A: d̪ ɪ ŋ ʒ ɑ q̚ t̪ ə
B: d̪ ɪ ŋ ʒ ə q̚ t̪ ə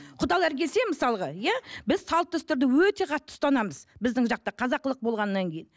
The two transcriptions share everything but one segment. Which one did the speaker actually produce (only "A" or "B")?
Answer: A